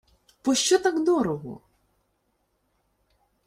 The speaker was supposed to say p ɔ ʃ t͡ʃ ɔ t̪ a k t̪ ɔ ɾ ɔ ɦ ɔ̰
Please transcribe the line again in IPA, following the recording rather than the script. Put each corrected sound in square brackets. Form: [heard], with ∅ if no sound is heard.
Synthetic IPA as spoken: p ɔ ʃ t͡ʃ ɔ t̪ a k [d̪] ɔ ɾ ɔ ɦ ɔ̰